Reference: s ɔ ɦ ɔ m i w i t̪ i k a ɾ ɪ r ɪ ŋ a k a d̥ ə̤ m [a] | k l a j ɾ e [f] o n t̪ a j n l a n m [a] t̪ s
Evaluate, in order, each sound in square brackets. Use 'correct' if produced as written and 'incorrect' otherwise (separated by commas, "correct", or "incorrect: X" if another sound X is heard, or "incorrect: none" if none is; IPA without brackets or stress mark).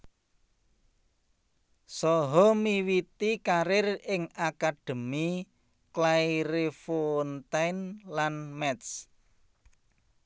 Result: incorrect: i, correct, incorrect: ɛ